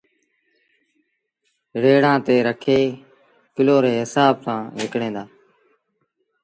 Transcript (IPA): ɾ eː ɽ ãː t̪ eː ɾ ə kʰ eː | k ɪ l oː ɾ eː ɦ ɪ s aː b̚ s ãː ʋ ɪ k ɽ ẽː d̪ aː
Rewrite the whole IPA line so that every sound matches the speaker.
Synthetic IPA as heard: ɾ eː ɽ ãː t̪ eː ɾ ə kʰ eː | k ɪ l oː ɾ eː ɦ ɪ s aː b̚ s ãː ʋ ɪ k ɽ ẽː d̪ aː